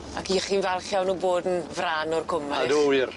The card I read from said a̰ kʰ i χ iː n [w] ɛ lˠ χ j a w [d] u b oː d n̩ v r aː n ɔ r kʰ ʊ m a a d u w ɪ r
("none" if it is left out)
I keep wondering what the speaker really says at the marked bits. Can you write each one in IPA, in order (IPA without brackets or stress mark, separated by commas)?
v, n